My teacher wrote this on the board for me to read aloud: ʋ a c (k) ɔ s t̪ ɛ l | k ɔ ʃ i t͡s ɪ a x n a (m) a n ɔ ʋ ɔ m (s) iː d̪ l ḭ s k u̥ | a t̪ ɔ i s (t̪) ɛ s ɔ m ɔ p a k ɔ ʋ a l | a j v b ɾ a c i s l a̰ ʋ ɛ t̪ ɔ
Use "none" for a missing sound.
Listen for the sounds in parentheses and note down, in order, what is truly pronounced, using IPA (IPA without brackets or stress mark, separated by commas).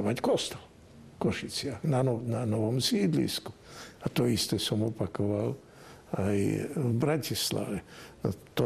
k, n, s, t̪